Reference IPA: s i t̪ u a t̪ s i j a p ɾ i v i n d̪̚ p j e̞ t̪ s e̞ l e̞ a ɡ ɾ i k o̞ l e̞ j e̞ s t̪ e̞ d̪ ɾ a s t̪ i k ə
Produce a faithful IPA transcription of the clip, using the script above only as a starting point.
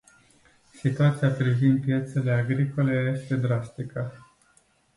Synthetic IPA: s i t̪ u a t̪ s i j a p ɾ i v i n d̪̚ p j e̞ t̪ s e̞ l e̞ a ɡ ɾ i k o̞ l e̞ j e̞ s t̪ e̞ d̪ ɾ a s t̪ i k ə